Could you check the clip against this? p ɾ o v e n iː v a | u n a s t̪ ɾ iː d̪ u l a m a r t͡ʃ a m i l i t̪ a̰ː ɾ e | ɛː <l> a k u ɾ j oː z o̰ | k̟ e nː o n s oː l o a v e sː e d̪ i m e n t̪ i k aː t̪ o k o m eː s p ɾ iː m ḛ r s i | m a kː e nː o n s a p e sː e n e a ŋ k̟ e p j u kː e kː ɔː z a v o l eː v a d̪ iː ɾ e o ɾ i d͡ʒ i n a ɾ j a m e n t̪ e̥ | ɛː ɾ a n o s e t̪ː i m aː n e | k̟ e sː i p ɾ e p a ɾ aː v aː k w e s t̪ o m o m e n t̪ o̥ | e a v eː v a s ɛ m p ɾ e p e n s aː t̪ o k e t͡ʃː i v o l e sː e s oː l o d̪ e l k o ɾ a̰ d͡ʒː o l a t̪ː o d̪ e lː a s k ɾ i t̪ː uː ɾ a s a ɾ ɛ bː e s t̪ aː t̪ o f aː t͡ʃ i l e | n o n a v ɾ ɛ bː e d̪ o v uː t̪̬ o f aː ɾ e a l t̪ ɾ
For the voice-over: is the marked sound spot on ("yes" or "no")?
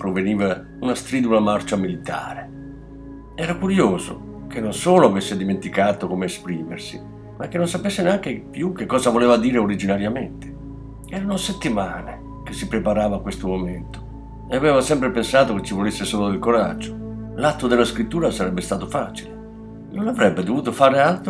no